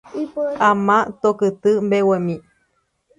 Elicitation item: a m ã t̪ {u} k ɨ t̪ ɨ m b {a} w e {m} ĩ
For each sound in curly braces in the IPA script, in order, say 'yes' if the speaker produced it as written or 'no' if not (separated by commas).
no, no, yes